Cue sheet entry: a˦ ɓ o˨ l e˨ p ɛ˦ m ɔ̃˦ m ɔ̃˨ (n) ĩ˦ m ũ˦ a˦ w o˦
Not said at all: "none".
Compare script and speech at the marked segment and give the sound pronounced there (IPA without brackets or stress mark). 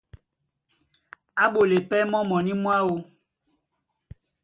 n